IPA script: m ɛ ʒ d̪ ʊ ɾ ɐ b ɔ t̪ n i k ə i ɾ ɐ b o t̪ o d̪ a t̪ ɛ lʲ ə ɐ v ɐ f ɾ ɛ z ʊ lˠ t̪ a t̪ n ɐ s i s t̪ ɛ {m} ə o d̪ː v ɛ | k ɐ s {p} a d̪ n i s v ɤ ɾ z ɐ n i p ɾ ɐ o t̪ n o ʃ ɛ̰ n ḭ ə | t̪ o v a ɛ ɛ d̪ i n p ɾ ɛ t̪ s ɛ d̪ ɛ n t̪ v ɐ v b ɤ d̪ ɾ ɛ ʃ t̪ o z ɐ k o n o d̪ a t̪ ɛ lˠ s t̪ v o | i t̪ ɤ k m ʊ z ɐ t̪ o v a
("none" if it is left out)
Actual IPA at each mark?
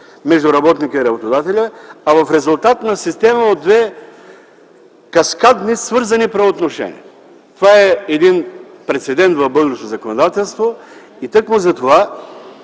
m, k

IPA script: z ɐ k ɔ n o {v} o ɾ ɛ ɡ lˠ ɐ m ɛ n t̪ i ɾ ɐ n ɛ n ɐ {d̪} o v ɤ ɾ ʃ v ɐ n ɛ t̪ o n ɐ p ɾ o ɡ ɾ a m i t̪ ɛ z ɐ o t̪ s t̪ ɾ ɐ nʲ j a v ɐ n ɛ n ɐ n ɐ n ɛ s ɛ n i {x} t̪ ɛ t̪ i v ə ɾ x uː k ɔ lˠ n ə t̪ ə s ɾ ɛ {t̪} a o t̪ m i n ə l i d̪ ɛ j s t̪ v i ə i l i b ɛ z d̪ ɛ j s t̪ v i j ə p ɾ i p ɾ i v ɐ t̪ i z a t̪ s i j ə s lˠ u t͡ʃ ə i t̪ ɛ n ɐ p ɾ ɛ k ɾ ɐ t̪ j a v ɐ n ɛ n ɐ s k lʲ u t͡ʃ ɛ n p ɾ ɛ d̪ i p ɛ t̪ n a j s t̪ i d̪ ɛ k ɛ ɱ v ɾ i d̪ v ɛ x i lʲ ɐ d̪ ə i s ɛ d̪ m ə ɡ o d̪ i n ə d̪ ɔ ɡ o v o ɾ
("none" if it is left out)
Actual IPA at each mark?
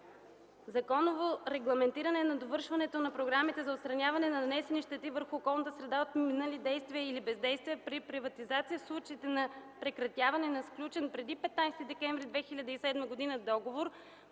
v, d̪, ʃ, d̪

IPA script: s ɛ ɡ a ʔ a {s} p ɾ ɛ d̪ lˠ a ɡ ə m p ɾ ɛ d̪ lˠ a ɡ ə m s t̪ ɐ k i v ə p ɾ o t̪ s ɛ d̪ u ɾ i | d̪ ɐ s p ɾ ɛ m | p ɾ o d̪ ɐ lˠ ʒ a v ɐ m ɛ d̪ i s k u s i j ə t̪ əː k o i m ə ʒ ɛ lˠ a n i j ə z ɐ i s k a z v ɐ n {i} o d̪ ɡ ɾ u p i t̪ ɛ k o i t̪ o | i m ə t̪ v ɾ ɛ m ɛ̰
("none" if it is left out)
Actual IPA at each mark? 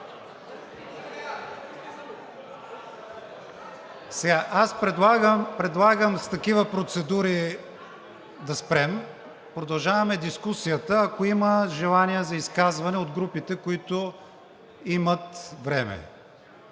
s, ɛ

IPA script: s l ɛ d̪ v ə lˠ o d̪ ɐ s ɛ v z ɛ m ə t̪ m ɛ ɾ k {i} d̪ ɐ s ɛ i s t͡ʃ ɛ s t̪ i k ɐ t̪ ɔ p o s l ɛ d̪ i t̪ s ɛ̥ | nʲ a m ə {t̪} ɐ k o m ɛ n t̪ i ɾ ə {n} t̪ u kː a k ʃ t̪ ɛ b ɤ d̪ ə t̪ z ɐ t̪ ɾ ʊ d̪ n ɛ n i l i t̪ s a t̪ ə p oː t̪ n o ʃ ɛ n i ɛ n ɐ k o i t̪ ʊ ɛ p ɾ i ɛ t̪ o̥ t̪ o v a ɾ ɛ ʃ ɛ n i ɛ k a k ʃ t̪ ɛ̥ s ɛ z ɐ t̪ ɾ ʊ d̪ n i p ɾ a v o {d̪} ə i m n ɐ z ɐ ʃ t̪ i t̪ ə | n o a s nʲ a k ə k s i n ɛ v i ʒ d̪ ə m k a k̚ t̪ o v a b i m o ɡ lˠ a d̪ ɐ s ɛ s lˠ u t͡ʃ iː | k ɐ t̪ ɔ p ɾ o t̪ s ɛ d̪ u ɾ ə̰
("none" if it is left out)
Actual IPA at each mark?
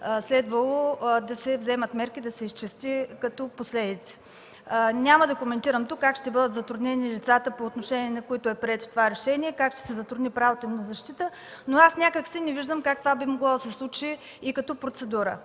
i, d̪, m, t̪

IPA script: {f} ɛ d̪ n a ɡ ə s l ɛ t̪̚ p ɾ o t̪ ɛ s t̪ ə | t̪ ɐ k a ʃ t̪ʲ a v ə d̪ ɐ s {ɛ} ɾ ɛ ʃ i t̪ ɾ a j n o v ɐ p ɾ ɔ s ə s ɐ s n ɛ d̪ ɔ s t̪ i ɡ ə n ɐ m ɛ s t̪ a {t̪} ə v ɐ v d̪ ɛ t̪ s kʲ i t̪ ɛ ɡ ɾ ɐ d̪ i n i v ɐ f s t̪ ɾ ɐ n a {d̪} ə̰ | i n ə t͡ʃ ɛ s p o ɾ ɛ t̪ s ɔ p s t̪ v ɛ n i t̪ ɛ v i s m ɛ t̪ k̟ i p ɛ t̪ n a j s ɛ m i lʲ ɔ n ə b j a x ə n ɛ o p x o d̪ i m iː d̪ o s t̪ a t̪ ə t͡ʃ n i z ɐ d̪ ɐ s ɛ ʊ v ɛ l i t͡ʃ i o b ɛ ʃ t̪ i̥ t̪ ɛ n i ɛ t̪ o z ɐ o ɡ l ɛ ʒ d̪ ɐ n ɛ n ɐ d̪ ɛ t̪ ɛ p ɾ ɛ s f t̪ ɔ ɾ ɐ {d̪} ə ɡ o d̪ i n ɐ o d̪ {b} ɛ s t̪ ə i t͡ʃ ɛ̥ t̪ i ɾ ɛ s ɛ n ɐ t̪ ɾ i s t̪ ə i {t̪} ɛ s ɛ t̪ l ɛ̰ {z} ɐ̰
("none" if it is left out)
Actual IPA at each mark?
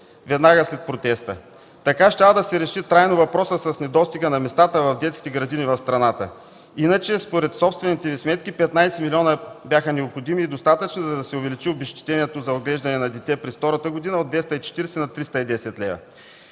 v, ɛ, t̪, t̪, t̪, v, d̪, v

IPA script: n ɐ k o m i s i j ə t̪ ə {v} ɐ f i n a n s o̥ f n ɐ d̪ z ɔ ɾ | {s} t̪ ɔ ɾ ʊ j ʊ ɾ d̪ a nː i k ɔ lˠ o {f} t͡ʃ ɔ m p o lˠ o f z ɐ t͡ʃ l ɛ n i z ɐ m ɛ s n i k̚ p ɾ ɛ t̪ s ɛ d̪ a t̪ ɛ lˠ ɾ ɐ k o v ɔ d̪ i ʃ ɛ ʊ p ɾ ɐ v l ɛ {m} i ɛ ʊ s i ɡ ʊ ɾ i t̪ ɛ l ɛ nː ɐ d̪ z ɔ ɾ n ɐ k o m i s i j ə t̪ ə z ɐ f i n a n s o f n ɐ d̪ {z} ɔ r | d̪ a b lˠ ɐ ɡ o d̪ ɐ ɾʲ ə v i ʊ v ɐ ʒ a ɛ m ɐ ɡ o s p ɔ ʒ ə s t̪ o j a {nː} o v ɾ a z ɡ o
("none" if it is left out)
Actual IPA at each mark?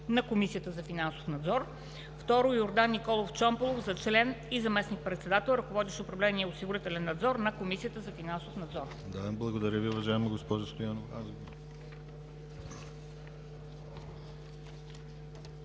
z, f, f, n, z, n

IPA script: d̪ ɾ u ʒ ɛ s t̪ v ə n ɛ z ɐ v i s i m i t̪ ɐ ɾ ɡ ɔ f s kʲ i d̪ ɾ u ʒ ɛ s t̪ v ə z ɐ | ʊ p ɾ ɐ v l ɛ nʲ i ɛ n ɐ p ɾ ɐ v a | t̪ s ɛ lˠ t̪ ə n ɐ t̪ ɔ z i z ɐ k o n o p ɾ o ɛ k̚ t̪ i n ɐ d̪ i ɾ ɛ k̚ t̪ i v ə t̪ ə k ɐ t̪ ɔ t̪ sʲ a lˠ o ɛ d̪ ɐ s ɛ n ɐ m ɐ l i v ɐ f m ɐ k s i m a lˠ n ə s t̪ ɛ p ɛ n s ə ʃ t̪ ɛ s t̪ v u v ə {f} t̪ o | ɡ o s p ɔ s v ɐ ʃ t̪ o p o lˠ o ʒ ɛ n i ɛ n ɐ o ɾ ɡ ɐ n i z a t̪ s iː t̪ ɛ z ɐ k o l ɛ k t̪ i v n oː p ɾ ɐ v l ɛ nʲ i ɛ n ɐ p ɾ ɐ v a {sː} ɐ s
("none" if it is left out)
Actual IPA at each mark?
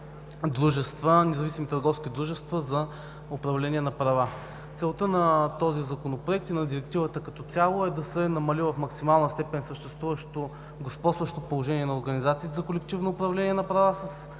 ʃ, s

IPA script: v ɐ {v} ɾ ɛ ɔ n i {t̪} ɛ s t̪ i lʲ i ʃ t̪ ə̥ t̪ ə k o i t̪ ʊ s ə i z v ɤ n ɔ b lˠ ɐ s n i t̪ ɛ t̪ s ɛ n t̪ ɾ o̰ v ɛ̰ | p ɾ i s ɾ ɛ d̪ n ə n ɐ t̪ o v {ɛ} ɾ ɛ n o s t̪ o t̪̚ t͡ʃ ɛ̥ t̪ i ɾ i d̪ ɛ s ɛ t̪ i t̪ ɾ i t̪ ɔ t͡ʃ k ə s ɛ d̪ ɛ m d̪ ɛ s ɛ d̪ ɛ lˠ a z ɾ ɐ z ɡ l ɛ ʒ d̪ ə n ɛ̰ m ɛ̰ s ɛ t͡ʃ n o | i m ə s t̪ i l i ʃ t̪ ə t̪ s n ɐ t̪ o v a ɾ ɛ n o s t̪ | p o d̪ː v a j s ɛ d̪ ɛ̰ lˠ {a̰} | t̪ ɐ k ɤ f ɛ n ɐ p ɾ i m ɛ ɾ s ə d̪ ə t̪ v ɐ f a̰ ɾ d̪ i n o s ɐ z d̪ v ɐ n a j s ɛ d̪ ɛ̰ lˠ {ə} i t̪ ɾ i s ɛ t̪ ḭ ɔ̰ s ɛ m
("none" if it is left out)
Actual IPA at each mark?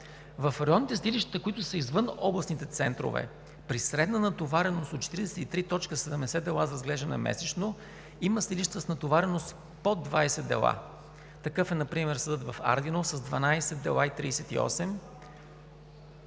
f, t̪, a, a̰, a

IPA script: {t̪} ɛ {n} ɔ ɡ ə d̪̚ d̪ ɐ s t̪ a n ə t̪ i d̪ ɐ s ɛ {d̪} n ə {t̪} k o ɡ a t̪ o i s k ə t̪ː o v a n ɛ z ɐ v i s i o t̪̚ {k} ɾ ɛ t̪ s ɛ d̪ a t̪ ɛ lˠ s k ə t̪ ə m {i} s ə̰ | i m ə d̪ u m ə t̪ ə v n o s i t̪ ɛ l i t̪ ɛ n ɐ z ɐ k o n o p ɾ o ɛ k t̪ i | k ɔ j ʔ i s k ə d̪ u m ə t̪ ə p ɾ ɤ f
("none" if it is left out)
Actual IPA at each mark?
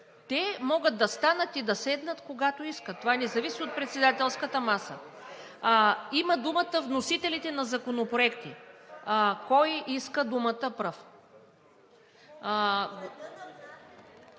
t̪, m, d̪, t̪, p, a

